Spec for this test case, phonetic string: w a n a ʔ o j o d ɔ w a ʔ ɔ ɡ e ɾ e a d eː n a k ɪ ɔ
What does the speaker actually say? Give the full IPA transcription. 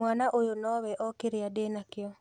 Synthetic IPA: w a n a ʔ o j o n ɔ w ɛ ʔ ɔ k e ɾ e a d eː n a k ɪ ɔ